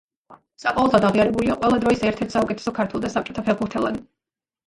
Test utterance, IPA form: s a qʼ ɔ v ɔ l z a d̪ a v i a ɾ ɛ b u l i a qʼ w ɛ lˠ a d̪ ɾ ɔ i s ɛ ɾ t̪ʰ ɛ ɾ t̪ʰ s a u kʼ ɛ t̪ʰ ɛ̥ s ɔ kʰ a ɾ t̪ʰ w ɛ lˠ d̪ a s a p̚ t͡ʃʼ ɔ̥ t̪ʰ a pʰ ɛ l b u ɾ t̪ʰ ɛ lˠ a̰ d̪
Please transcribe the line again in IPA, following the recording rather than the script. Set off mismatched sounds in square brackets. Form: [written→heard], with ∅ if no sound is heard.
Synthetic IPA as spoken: s a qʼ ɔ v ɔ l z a d̪ a [v→ʁ] i a ɾ ɛ b u l i a qʼ w ɛ lˠ a d̪ ɾ ɔ i s ɛ ɾ t̪ʰ ɛ ɾ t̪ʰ s a u kʼ ɛ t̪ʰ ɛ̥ s ɔ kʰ a ɾ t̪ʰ w ɛ lˠ d̪ a s a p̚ t͡ʃʼ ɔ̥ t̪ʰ a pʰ ɛ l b u ɾ t̪ʰ ɛ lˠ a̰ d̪